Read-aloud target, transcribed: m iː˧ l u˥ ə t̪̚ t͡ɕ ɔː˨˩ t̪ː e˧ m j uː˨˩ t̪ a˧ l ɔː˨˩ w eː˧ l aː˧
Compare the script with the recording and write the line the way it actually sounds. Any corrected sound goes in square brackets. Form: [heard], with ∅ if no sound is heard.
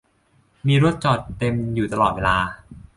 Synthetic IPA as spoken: m iː˧ [ɾ] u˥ ə t̪̚ t͡ɕ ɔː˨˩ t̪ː e˧ m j uː˨˩ t̪ a˧ l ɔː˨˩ w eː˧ l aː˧